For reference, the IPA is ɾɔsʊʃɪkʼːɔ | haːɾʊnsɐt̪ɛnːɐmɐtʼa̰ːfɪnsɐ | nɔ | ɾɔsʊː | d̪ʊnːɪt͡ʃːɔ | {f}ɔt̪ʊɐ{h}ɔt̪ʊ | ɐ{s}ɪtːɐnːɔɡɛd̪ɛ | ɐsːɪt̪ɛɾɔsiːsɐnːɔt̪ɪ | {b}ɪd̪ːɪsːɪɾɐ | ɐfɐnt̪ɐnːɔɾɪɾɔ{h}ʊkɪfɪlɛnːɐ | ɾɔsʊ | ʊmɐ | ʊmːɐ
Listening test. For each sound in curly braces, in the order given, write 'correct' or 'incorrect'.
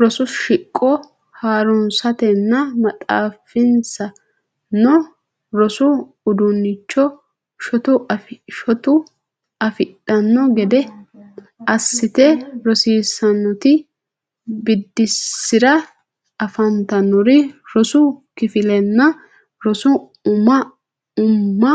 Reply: incorrect, incorrect, incorrect, correct, incorrect

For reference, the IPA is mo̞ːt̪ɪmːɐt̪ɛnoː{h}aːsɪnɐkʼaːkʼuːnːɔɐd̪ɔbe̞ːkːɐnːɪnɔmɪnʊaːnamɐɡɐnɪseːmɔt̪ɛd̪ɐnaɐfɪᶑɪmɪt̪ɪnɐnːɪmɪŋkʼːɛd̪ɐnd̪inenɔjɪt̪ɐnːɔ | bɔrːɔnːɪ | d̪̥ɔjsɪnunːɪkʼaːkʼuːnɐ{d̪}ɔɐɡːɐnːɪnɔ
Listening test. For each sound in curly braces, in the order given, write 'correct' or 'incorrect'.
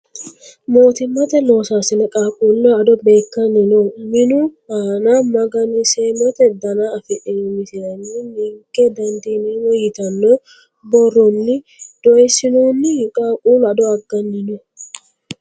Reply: incorrect, correct

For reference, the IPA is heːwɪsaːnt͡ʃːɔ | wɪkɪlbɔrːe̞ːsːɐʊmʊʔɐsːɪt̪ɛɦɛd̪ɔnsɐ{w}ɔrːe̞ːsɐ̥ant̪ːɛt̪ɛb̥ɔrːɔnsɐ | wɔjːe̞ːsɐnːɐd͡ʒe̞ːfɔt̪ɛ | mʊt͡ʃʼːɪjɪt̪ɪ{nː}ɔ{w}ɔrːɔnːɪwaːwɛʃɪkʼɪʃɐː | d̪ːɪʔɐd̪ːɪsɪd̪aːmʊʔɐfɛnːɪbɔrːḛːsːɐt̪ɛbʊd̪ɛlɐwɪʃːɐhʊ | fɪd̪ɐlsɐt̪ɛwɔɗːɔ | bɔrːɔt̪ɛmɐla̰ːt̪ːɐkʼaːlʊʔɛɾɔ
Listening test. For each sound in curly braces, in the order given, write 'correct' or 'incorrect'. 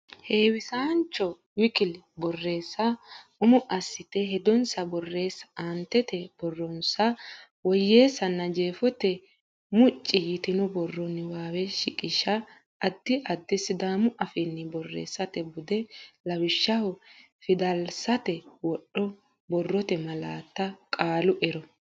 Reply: incorrect, incorrect, incorrect

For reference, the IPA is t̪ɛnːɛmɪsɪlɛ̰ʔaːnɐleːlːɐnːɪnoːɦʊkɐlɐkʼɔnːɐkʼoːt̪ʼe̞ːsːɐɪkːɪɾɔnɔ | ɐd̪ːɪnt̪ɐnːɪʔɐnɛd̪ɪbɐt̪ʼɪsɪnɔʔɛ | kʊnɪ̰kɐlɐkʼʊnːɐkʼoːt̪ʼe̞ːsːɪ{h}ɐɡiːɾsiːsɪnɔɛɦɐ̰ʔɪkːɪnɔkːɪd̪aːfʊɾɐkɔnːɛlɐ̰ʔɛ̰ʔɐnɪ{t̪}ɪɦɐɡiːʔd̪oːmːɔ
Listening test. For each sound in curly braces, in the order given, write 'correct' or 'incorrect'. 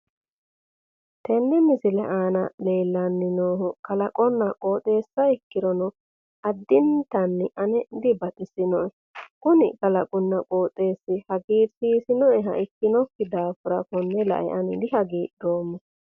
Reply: correct, incorrect

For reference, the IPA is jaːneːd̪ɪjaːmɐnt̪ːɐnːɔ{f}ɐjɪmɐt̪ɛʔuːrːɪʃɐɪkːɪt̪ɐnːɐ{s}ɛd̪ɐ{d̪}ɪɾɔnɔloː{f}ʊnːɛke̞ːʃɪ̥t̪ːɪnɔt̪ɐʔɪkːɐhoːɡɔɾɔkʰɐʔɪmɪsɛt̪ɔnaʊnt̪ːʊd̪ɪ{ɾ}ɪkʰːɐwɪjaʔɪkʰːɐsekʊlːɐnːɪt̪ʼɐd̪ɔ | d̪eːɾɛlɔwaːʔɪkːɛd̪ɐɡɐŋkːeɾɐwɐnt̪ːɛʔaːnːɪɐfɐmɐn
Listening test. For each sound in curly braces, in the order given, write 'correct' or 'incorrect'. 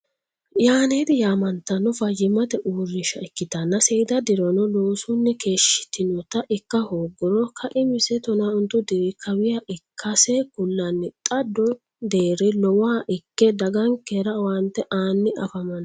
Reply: correct, correct, correct, incorrect, correct

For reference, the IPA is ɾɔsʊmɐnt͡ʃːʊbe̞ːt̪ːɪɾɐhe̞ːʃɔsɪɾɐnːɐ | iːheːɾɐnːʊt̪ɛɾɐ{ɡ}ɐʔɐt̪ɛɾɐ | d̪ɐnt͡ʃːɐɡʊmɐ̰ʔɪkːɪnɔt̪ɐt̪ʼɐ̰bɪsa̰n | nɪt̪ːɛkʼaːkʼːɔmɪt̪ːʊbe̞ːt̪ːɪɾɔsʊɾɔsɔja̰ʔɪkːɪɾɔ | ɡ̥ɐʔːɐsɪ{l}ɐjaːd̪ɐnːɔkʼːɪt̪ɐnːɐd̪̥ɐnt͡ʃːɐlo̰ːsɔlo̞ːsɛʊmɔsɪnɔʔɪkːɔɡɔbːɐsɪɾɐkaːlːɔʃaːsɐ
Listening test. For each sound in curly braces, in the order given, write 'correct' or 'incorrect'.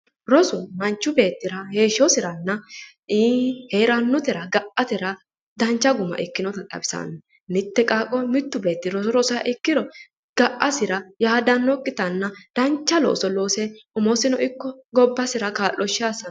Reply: correct, incorrect

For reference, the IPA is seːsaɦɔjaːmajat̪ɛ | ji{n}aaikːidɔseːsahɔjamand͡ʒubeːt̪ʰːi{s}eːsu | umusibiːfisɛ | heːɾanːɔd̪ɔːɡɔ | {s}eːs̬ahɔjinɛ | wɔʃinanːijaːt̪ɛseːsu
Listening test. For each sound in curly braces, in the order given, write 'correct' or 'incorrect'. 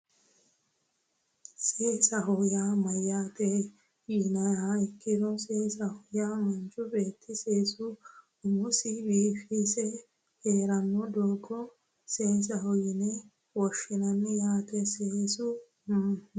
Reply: correct, correct, correct

